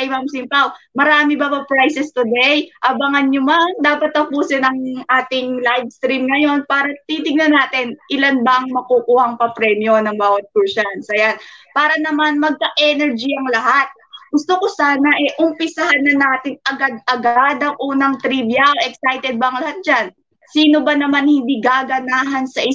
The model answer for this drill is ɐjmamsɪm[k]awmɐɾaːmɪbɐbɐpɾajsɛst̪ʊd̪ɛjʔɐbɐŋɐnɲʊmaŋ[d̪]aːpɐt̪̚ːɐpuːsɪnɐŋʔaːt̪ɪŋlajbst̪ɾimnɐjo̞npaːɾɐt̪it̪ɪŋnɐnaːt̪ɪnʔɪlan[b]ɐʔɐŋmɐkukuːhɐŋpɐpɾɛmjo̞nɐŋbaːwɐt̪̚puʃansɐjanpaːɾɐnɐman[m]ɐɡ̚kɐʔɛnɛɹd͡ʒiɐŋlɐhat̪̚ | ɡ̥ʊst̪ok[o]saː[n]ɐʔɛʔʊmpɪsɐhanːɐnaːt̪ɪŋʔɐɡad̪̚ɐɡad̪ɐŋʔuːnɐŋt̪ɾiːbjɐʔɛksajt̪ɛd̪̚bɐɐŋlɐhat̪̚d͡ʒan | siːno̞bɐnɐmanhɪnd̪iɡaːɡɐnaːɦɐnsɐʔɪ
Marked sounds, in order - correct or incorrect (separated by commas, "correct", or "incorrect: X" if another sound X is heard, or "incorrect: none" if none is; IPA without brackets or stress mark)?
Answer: incorrect: p, correct, correct, correct, correct, correct